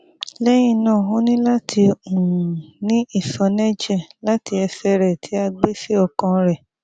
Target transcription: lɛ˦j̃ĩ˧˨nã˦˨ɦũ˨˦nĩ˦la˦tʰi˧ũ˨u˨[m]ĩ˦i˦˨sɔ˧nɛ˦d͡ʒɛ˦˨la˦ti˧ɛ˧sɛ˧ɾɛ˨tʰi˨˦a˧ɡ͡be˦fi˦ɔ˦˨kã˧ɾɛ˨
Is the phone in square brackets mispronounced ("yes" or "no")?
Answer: yes